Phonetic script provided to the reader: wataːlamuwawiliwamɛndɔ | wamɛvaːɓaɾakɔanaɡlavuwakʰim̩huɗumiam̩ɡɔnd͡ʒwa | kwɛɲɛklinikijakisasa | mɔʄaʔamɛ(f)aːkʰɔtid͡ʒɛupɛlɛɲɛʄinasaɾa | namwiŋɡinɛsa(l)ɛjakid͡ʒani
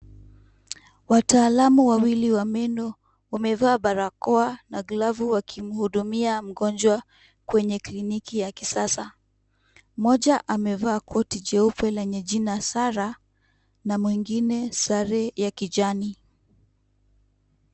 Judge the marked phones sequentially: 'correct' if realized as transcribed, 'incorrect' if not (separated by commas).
incorrect, incorrect